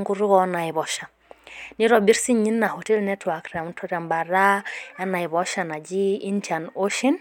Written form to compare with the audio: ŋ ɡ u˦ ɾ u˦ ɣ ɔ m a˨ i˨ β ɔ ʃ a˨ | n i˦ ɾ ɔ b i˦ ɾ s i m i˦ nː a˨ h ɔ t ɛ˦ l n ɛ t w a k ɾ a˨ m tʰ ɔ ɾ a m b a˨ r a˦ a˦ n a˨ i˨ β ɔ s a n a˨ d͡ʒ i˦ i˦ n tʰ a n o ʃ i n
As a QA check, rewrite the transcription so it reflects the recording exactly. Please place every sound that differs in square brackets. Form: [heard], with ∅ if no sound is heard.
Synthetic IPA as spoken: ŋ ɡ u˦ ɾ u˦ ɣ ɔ [n] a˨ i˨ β ɔ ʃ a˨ | n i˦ ɾ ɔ b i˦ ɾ s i [ɲ] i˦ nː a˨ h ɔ t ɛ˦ l n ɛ t w a k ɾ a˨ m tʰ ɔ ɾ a m b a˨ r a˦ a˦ n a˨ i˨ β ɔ [ʃ] a n a˨ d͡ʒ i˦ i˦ n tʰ a n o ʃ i n